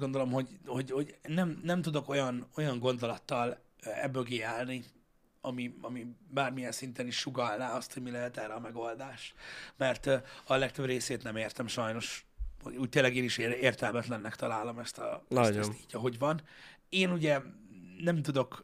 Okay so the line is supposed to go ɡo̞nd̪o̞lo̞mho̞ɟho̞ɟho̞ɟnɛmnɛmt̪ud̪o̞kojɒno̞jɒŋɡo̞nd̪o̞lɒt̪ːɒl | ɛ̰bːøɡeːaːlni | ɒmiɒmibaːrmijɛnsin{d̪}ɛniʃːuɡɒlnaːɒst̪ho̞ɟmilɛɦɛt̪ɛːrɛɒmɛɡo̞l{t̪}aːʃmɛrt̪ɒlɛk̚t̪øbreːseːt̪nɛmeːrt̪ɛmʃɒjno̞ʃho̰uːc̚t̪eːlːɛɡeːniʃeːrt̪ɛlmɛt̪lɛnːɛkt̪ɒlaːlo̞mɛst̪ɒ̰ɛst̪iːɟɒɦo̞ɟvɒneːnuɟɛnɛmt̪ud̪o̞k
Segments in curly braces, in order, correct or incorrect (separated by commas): incorrect, incorrect